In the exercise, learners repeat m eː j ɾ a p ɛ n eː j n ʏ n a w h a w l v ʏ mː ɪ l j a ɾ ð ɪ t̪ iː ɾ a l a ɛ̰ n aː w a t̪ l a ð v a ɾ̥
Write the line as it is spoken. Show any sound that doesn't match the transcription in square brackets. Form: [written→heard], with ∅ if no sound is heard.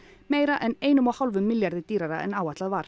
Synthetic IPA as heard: m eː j ɾ a [p→ʔ] ɛ n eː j n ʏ [n→m] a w h a w l v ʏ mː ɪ l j a ɾ ð ɪ t̪ iː ɾ a [l→ɾ] a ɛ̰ n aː w a t̪ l a ð v a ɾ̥